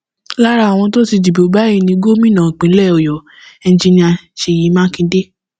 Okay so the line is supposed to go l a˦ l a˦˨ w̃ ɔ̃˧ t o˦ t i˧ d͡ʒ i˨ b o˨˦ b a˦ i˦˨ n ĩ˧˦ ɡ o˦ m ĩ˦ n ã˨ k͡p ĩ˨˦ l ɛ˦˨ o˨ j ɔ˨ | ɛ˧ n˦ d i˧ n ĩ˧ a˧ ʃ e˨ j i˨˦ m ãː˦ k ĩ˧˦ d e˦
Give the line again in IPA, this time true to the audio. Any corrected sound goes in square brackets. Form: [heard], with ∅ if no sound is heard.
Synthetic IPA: l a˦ [ɾ] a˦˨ w̃ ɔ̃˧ t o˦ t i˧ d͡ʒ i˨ b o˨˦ b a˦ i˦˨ n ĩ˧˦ ɡ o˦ m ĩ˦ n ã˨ k͡p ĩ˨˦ l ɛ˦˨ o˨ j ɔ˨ | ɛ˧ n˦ [d͡ʒ] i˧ n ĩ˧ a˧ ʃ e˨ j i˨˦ m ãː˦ k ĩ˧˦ d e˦